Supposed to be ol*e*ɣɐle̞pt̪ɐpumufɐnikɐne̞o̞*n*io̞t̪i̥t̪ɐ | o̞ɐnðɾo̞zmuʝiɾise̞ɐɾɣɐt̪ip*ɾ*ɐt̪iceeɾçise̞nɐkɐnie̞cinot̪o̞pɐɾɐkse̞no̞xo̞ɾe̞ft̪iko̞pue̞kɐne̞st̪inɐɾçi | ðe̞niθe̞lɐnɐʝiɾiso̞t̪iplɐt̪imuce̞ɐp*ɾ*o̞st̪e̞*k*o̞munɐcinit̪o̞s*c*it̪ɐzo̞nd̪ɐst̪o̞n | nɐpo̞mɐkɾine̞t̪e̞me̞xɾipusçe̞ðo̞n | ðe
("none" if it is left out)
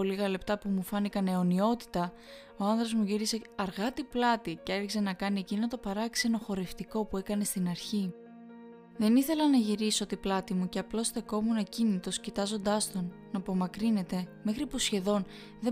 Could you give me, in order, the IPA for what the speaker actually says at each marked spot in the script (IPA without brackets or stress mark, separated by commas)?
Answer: i, n, l, l, k, c